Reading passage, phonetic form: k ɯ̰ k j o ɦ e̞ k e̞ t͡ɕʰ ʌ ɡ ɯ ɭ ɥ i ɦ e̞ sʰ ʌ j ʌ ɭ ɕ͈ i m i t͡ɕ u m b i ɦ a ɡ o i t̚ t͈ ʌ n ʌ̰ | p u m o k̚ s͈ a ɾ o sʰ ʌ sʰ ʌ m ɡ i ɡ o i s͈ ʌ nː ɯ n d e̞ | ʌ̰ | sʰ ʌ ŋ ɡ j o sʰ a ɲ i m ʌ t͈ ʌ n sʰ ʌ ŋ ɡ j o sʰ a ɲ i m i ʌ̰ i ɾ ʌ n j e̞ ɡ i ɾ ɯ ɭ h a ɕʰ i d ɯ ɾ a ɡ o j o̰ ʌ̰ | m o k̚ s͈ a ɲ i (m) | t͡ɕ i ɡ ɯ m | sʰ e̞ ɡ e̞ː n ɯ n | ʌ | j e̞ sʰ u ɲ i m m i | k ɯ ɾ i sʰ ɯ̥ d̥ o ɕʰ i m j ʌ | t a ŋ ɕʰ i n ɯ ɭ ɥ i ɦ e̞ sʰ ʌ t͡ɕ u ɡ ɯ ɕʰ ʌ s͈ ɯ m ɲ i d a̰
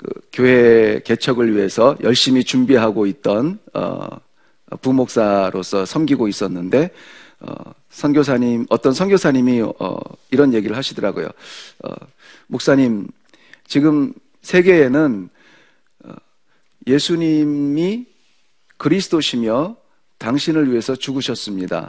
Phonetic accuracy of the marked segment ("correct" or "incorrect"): correct